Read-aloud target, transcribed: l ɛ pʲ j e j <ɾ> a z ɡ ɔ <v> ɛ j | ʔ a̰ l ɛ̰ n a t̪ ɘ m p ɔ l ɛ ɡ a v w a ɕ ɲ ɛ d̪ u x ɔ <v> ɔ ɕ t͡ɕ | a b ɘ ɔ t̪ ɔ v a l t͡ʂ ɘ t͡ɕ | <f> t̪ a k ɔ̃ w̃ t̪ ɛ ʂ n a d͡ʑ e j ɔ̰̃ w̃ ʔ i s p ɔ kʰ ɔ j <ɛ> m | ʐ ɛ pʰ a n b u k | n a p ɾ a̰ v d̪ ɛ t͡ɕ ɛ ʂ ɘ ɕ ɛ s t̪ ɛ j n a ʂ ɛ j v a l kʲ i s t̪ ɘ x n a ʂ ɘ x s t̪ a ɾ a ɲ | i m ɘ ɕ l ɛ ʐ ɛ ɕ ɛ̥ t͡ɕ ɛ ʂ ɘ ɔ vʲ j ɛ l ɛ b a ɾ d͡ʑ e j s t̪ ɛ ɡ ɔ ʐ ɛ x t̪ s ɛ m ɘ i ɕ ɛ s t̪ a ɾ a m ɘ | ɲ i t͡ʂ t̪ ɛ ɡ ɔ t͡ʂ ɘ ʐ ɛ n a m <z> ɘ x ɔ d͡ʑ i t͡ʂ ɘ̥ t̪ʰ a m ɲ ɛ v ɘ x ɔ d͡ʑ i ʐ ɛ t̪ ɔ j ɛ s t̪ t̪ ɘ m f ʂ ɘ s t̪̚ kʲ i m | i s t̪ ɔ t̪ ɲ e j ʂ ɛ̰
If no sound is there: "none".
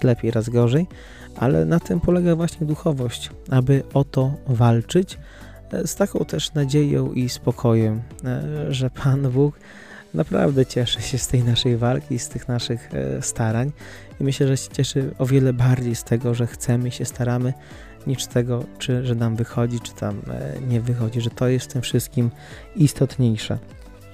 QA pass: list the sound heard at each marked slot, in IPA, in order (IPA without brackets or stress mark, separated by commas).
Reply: ɾ, ʐ, v, s, ɛ, v